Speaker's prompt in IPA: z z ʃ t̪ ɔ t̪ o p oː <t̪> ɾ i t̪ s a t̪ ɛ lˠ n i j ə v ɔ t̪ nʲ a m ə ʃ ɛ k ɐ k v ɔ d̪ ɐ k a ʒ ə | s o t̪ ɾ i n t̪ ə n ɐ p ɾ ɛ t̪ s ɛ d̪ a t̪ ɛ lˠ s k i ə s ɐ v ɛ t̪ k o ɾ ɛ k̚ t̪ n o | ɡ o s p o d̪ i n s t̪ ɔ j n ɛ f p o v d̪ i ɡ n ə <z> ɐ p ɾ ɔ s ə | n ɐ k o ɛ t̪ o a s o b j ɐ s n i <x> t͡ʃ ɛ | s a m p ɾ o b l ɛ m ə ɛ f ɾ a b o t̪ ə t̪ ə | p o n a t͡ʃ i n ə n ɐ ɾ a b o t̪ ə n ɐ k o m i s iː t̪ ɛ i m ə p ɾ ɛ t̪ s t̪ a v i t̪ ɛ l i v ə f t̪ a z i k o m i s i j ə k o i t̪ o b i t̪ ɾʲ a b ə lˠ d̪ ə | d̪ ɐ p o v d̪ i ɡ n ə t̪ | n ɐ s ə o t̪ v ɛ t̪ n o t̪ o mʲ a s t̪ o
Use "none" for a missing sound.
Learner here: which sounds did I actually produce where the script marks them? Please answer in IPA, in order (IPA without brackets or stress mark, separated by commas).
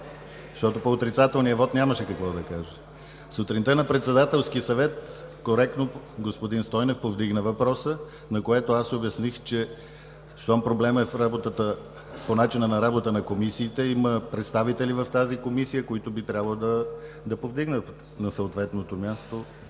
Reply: t̪, v, x